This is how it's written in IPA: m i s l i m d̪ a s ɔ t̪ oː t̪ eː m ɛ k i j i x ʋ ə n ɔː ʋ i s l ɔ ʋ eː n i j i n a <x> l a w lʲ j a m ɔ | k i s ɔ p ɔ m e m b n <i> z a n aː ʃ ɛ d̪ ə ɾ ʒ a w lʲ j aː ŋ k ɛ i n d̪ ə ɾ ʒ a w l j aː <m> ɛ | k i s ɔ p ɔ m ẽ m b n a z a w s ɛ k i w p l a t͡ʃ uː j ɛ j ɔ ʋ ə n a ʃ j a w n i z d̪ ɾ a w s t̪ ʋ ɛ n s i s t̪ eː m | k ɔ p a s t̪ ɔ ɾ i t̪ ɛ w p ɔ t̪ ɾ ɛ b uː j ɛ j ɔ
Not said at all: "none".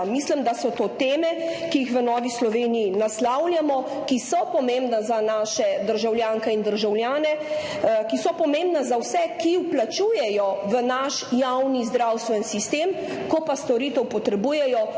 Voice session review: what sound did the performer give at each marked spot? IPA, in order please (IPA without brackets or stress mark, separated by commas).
s, a, n